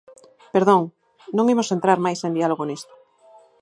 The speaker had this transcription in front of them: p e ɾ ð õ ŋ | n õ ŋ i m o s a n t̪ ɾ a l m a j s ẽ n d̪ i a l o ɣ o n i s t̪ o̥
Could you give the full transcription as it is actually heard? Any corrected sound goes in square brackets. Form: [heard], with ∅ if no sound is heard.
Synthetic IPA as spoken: p e ɾ ð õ ŋ | n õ ŋ i m o s [e] n t̪ ɾ a [ɾ] m a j s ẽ n d̪ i a l o ɣ o n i s t̪ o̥